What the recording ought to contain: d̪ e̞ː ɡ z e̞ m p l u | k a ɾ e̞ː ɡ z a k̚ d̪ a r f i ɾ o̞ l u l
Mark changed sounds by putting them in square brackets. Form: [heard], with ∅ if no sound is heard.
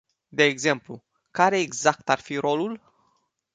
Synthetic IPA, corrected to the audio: d̪ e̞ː ɡ z e̞ m p l u | k a ɾ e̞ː ɡ z a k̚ [t̪] a r f i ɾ o̞ l u l